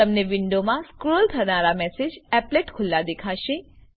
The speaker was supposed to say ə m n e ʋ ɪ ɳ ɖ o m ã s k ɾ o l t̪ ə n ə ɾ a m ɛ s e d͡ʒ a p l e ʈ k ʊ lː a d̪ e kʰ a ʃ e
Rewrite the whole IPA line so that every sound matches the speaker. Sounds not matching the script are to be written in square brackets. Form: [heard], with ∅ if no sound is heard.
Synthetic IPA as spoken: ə m n e ʋ ɪ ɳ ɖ o m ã s k ɾ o l [t̪ʰ] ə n [a] ɾ a m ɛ s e d͡ʒ [ɛ] p l e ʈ [kʰ] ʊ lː a d̪ e kʰ a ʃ e